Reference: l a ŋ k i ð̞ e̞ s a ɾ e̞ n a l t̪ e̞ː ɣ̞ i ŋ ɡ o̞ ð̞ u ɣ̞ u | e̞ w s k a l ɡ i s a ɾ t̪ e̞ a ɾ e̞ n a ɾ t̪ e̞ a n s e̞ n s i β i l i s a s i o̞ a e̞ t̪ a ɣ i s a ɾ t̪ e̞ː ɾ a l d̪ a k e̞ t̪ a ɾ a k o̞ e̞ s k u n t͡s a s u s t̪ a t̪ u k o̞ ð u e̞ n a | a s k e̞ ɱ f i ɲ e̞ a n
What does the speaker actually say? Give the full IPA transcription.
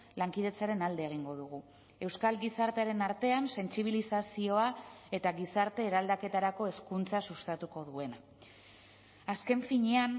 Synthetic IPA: l a ŋ k i ð̞ e̞ t͡s a ɾ e̞ n a l d̪ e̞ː ɣ̞ i ŋ ɡ o̞ ð̞ u ɣ̞ u | e̞ w s k a l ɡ i s a ɾ t̪ e̞ a ɾ e̞ n a ɾ t̪ e̞ a n s e̞ n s i β i l i s a s i o̞ a e̞ t̪ a ɣ i s a ɾ t̪ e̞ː ɾ a l d̪ a k e̞ t̪ a ɾ a k o̞ e̞ s k u n t͡s a s u s t̪ a t̪ u k o̞ ð u e̞ n a | a s k e̞ ɱ f i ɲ e̞ a n